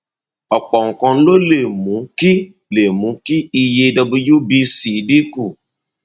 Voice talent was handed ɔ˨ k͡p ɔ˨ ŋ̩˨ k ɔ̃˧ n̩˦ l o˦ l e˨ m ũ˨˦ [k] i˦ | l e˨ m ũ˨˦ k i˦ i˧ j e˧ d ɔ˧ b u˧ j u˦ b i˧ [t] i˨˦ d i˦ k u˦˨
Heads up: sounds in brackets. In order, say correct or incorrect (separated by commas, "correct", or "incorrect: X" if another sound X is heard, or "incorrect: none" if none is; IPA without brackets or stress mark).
correct, incorrect: s